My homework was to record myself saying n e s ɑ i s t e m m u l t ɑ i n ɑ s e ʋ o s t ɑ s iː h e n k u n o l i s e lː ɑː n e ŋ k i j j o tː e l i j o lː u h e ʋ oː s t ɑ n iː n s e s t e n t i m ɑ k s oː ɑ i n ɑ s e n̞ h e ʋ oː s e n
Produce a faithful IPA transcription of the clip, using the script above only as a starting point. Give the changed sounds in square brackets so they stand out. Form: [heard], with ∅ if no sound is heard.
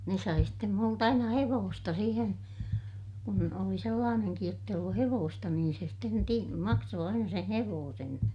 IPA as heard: n e s ɑ i s t e m m u l t ɑ i n ɑ [h] e ʋ [oː] s t ɑ s iː h e n k u n o l i s e lː ɑː n e ŋ k i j j o tː e [∅] i j o lː u h e ʋ oː s t ɑ n iː n s e s t e n t i m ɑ k s oː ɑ i n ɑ s e n̞ h e ʋ oː s e n